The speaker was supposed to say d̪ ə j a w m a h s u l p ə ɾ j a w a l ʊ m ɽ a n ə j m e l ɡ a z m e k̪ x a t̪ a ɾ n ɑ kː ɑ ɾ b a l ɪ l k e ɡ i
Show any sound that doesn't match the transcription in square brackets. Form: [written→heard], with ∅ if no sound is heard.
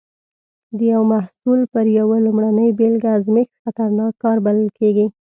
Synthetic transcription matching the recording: d̪ ə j a w m a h s u l p ə ɾ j a w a l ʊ m ɽ a n ə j [m→b] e l ɡ a z m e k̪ x a t̪ a ɾ n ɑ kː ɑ ɾ b a l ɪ l k e ɡ i